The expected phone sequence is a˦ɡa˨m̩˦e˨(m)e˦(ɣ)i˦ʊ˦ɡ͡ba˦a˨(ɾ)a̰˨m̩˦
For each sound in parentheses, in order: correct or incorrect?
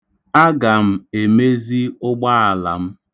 correct, incorrect, incorrect

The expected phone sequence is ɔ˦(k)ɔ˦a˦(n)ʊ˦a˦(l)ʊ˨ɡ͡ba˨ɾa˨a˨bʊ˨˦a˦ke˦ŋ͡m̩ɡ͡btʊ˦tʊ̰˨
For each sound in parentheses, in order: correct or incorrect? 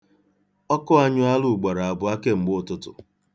correct, incorrect, correct

